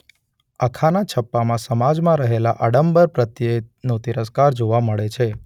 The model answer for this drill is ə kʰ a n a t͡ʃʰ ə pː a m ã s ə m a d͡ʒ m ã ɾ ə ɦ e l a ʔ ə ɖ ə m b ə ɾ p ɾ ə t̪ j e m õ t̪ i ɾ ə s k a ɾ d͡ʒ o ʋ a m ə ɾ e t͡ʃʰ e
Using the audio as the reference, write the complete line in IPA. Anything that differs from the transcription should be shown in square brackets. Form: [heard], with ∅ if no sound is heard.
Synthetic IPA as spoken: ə kʰ a n a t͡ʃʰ ə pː a m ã s ə m a d͡ʒ m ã ɾ ə ɦ e l a ʔ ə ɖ ə m b ə ɾ p ɾ ə t̪ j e [n] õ t̪ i ɾ ə s k a ɾ d͡ʒ o ʋ a m ə [ɭ] e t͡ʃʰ e